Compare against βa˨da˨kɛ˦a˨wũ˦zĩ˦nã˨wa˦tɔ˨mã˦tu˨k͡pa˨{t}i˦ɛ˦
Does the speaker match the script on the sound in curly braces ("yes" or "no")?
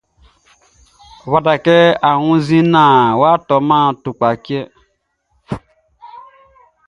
no